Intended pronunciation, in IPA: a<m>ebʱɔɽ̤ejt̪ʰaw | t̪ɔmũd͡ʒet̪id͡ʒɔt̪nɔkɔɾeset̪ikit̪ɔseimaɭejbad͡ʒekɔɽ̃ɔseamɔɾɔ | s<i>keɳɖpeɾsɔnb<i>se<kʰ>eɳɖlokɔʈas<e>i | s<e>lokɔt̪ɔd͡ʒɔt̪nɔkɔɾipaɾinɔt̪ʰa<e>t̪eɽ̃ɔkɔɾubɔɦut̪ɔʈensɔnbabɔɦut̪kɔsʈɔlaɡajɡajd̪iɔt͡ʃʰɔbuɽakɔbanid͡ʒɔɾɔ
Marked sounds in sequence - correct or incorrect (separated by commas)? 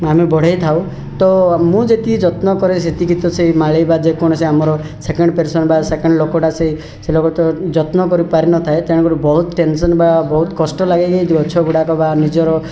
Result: correct, incorrect, incorrect, incorrect, correct, correct, correct